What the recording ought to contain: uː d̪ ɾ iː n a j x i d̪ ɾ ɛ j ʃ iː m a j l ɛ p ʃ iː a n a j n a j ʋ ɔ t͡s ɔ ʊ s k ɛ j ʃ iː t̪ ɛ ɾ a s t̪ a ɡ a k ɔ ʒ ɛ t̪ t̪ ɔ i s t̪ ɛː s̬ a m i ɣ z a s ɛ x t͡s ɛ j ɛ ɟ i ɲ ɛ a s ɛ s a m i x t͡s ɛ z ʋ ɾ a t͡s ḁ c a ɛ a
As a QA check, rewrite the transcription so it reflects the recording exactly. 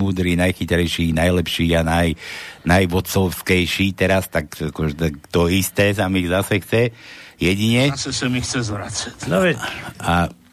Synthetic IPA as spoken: uː d̪ ɾ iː n a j x i t̪ ɾ ɛ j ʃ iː n a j l ɛ p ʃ iː a n a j n a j ʋ ɔ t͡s ɔ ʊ s k ɛ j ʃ iː t̪ ɛ ɾ a s t̪ a k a k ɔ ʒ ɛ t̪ t̪ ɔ i s t̪ ɛː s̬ a m i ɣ z a s ɛ x t͡s ɛ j ɛ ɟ i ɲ ɛ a s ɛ s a m i x t͡s ɛ z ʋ ɾ a t͡s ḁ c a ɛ a